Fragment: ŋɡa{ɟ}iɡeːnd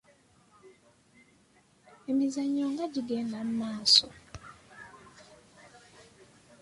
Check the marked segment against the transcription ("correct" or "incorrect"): correct